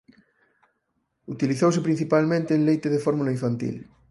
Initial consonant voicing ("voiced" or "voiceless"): voiceless